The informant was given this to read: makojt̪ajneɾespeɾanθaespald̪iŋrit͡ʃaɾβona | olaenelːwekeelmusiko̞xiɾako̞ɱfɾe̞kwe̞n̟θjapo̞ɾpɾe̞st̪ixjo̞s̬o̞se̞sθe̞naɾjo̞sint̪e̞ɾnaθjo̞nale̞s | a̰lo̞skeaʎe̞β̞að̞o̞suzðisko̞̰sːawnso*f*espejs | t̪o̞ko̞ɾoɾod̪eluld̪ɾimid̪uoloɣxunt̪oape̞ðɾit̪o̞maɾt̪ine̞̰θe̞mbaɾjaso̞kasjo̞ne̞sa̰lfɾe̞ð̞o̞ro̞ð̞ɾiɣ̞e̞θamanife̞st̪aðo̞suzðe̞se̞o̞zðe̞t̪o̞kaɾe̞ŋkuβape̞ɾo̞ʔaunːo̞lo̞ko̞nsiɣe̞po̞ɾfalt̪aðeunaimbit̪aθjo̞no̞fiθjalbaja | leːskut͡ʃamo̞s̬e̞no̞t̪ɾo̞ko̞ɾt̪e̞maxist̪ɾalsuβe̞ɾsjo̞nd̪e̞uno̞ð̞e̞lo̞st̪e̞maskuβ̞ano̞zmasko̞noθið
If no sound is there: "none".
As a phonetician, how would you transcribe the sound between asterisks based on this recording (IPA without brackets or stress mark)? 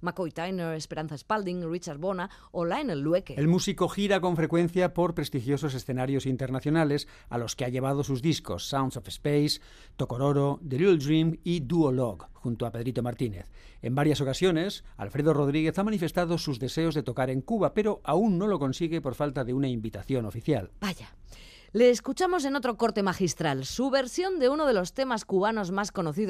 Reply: f